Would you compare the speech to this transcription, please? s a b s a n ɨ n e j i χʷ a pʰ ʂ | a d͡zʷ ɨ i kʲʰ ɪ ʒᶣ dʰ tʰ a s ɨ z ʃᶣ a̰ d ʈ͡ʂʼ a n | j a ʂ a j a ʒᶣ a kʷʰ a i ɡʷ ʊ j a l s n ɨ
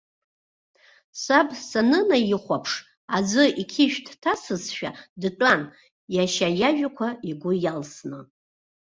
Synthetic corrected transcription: s a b s a n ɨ n a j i χʷ a pʰ ʂ | a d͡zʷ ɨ i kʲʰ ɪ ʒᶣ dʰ tʰ a s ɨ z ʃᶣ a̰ d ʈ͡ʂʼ a n | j a ʃ a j a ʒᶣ a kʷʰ a i ɡʷ ʊ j a l s n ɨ